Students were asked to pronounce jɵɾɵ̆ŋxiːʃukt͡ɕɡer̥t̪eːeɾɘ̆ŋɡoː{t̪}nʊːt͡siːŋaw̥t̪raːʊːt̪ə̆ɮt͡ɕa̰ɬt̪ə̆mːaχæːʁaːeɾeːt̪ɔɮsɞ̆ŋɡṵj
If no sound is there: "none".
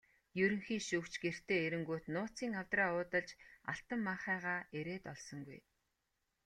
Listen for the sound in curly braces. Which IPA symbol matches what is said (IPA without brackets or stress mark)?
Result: t̪